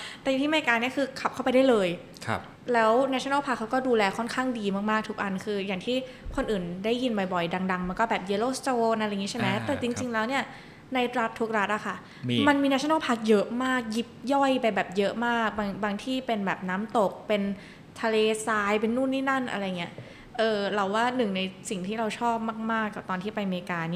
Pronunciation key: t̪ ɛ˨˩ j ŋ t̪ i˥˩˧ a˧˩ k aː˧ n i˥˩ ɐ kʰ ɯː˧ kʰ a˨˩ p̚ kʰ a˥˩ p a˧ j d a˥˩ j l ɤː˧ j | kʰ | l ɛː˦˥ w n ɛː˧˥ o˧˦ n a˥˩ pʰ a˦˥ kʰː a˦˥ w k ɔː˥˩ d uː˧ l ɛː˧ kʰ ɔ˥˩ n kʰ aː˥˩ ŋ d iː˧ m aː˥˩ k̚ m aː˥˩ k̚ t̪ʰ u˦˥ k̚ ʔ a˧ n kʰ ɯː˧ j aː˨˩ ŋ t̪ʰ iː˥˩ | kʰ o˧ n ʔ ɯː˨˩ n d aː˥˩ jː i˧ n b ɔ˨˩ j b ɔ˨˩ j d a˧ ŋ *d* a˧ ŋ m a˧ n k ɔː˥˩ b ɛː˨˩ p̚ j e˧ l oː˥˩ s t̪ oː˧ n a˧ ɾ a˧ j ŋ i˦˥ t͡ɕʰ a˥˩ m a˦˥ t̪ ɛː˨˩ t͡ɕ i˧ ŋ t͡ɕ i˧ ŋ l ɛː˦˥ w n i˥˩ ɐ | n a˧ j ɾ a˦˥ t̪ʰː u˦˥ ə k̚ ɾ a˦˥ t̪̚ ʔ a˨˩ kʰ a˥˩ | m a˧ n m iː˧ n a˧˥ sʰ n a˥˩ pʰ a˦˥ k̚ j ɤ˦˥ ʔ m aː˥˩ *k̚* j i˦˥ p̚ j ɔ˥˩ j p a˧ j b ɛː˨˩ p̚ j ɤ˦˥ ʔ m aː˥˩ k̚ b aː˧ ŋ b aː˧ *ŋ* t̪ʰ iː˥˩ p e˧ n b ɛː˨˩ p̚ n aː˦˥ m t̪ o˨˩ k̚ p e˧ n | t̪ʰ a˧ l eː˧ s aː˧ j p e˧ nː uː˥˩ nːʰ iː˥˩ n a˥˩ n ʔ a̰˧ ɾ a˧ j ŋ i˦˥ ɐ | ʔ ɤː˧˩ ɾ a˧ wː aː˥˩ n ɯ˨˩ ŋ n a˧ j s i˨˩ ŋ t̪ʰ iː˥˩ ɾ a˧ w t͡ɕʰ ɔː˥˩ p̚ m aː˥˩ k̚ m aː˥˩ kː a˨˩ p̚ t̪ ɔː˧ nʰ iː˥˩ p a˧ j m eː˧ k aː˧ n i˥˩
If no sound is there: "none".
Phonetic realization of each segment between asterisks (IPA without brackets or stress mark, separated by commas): d, k̚, ŋ